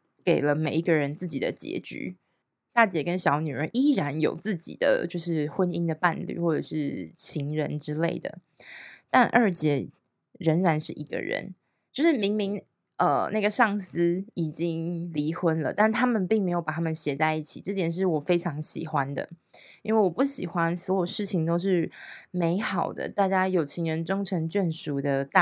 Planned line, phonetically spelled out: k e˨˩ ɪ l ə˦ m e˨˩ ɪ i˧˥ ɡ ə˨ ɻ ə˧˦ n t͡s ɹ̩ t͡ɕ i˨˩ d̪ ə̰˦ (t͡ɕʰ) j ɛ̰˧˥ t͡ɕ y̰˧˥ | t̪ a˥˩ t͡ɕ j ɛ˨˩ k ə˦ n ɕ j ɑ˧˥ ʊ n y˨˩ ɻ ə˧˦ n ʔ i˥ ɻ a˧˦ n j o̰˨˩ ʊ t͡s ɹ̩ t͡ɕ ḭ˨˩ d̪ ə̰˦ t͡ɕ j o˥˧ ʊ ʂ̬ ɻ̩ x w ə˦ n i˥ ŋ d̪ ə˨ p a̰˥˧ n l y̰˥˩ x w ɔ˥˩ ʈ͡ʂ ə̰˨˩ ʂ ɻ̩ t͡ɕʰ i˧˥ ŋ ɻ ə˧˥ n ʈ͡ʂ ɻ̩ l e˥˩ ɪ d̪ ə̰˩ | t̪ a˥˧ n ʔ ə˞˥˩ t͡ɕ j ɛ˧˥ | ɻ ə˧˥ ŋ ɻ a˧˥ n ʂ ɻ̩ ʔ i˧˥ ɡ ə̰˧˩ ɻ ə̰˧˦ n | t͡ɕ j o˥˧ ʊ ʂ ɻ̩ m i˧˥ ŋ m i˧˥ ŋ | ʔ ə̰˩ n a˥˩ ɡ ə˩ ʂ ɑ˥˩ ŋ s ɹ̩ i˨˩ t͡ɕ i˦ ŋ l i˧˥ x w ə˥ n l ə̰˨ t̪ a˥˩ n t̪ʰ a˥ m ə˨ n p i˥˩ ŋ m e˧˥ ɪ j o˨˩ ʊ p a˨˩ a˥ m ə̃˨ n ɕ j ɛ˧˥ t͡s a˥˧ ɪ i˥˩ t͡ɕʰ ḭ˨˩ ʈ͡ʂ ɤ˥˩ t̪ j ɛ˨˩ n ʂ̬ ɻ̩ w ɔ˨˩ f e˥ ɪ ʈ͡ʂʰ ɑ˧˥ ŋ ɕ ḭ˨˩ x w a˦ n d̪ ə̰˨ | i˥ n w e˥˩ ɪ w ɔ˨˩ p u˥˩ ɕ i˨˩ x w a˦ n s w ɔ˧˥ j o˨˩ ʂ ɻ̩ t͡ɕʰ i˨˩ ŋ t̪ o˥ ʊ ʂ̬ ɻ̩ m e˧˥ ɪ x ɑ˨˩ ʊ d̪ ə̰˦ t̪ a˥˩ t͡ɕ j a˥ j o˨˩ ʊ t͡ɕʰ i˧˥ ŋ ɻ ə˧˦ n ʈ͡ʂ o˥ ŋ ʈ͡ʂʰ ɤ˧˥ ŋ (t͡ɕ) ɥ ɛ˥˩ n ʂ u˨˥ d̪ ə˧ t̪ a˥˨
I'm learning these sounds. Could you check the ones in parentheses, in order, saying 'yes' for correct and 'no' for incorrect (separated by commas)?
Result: no, yes